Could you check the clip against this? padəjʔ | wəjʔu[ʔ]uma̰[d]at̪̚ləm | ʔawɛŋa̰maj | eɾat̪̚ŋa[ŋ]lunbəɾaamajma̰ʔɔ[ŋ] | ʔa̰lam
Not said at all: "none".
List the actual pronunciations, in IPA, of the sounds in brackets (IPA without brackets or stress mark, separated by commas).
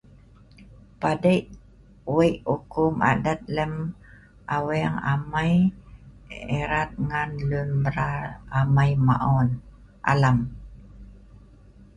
k, d, n, n